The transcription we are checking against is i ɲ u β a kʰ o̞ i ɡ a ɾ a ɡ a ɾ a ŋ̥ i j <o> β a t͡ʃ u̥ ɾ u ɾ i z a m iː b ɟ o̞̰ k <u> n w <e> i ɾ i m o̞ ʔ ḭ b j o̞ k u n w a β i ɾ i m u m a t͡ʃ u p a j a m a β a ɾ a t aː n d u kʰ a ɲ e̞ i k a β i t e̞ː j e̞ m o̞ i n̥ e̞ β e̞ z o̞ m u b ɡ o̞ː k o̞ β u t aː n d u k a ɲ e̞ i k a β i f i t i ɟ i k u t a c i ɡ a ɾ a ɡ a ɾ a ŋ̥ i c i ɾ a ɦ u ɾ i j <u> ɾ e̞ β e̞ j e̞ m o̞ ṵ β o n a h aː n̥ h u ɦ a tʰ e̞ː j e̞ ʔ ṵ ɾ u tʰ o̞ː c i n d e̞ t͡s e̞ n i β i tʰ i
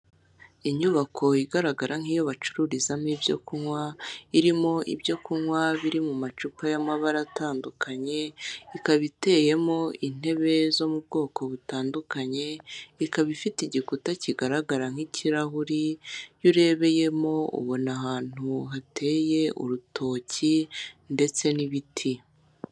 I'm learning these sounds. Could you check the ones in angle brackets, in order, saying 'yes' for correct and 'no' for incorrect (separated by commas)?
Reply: yes, yes, no, yes